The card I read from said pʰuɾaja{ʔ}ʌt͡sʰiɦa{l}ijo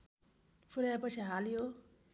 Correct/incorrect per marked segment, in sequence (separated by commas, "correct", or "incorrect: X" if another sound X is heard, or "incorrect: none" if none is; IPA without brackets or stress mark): incorrect: p, correct